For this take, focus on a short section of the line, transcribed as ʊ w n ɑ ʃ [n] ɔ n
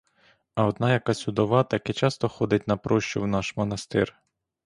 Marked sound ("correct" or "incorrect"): incorrect